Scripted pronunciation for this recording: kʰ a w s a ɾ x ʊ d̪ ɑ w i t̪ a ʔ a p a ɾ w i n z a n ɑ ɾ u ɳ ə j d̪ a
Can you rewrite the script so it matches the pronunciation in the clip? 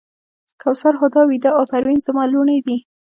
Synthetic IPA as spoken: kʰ a w s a ɾ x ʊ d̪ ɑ w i d̪ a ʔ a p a ɾ w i n z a m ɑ l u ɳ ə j d̪ i